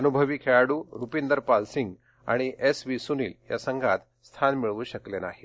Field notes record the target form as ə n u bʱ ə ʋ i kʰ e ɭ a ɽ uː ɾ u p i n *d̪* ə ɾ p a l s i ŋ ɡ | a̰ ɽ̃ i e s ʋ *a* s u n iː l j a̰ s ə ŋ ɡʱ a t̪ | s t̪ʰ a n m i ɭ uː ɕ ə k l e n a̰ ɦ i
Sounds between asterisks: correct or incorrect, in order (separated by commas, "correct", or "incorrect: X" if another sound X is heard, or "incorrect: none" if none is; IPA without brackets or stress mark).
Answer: correct, incorrect: i